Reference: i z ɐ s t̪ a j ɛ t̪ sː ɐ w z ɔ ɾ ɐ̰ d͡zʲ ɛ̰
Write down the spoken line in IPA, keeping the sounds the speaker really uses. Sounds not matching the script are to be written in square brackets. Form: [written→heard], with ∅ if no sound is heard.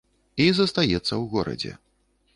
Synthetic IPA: i z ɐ s t̪ a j ɛ t̪ sː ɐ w [z→ɣ] ɔ ɾ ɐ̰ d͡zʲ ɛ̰